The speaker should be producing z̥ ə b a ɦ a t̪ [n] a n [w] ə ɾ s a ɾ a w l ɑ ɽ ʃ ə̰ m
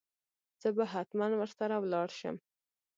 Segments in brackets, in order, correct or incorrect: incorrect, correct

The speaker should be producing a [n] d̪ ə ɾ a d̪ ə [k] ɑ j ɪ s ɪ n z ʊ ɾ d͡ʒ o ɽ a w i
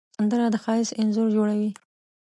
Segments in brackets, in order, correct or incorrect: correct, incorrect

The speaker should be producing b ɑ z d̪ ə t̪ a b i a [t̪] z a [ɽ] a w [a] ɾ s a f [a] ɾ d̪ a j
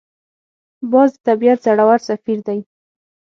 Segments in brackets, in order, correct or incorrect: correct, correct, correct, incorrect

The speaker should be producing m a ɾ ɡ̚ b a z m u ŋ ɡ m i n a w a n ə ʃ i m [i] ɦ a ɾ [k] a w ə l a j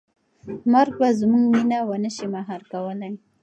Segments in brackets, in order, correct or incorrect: incorrect, correct

